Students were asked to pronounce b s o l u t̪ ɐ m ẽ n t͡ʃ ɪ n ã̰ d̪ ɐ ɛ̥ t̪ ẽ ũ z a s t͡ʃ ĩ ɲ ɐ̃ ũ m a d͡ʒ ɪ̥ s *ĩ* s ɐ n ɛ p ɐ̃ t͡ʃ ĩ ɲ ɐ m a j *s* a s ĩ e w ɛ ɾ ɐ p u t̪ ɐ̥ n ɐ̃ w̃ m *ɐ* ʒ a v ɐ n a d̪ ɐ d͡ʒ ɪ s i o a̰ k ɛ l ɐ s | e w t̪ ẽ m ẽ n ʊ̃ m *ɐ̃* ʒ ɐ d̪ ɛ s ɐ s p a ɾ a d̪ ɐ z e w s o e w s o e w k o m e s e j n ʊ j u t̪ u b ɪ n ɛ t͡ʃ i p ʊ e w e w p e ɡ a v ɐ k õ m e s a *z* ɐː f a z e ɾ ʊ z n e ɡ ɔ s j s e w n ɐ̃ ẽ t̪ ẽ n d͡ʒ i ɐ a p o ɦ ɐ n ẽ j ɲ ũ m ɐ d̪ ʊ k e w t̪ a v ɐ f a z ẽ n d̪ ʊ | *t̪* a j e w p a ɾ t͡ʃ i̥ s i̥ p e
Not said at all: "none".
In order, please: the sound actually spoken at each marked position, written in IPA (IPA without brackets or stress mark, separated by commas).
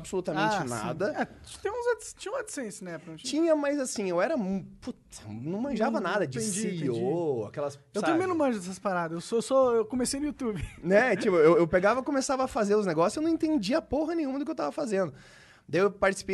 ẽ, z, ɐ̃, ɐ̃, v, d̪